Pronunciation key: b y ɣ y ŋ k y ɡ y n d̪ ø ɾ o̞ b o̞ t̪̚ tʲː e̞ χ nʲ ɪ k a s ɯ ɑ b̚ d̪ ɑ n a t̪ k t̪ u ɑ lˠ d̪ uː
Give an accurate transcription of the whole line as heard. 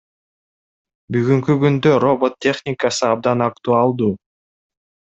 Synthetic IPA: b y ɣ y ŋ k y ɡ y n d̪ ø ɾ o̞ b o̞ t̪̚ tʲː e̞ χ nʲ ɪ k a s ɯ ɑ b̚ d̪ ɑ n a k t̪ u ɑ lˠ d̪ uː